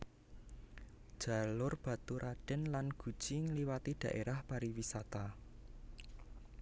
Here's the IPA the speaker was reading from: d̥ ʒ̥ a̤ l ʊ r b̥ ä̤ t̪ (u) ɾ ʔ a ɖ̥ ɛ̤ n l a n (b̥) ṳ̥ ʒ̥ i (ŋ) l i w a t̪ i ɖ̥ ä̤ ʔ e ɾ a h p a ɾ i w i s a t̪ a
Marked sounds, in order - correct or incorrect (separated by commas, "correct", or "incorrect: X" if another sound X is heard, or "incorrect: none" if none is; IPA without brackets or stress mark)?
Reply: correct, incorrect: ɡ̥, correct